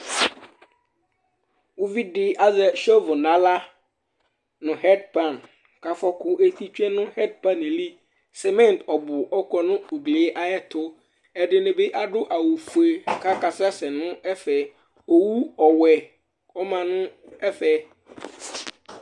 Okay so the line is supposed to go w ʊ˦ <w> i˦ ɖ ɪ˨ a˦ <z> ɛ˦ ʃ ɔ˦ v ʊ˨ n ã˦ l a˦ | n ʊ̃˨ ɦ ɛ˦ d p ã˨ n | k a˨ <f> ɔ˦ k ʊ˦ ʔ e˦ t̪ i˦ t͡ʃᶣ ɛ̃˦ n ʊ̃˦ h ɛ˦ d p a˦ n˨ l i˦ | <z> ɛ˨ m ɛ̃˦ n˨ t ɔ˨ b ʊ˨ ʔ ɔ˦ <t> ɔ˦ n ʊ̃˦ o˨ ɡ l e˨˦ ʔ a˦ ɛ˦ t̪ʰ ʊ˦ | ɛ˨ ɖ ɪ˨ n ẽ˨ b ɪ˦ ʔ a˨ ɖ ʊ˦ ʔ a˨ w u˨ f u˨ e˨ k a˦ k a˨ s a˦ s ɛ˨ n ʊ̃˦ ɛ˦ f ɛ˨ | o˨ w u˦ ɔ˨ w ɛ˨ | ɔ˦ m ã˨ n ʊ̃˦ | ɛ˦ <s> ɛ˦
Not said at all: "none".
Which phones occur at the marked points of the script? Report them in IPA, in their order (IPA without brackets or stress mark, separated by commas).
v, z, f, s, k, f